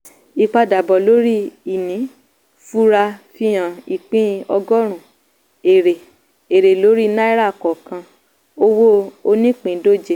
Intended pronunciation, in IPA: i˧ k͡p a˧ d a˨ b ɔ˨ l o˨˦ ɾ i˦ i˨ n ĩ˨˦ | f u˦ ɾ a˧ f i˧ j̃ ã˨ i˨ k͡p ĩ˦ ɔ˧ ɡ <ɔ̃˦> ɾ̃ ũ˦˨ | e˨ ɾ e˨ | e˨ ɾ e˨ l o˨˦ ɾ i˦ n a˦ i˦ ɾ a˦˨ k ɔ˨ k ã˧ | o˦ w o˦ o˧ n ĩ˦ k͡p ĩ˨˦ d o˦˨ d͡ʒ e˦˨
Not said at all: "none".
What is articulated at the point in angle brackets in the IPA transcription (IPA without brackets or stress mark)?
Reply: ɔ˦